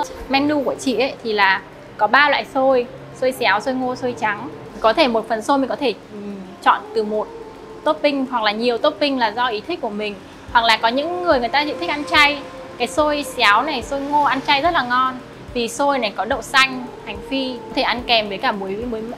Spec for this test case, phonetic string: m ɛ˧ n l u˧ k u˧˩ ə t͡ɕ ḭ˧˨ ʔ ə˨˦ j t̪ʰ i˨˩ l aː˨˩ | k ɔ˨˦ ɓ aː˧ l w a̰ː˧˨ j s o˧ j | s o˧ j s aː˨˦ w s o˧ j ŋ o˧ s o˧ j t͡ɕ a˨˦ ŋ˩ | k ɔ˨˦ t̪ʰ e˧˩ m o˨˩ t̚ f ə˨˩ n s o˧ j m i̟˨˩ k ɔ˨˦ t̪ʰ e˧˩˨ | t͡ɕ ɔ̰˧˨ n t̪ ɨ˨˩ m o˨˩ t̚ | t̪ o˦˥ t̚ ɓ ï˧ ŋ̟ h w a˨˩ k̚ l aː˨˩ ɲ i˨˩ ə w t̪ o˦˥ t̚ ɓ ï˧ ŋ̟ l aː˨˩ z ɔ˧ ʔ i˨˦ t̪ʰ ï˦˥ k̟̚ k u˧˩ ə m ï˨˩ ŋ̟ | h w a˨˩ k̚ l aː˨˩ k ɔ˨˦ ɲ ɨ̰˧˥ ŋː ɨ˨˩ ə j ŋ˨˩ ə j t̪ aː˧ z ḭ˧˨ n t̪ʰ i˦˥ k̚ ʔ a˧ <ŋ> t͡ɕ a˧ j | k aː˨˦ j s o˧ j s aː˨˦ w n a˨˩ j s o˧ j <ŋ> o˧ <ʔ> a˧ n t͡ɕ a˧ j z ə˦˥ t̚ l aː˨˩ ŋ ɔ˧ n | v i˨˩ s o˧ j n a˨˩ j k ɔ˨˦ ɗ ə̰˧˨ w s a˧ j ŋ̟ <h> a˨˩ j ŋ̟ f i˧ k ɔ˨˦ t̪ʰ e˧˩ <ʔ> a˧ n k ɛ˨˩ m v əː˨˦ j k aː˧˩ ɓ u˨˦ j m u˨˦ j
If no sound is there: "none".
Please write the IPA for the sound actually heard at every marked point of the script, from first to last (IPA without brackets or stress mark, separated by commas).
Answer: n, ŋ, ʔ, h, ʔ